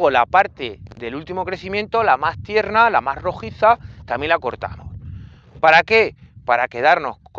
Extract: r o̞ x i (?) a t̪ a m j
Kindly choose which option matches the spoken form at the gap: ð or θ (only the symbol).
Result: θ